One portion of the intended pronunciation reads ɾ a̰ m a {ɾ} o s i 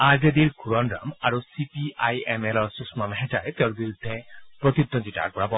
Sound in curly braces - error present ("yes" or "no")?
no